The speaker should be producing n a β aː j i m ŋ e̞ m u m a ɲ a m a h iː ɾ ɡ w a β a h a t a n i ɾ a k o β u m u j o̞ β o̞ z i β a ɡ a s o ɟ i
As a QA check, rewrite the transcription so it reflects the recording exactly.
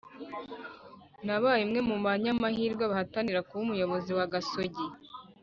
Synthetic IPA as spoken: n a β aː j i m ŋ e̞ m u m a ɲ a m a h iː ɾ ɡ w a β a h a t a n i ɾ a k u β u m u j o̞ β o̞ z i w a ɡ a s o ɟ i